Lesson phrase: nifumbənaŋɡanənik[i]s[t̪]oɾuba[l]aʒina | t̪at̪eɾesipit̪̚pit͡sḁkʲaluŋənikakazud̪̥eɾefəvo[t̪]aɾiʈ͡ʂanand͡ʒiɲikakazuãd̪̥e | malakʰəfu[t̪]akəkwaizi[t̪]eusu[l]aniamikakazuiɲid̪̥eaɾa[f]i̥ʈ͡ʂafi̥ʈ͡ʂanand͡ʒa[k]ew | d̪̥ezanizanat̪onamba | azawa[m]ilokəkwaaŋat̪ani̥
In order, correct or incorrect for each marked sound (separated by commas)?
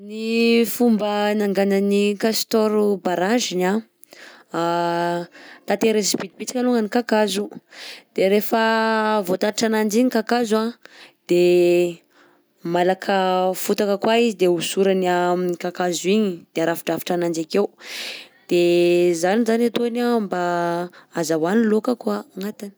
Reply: incorrect, correct, incorrect, correct, correct, incorrect, incorrect, correct, correct, incorrect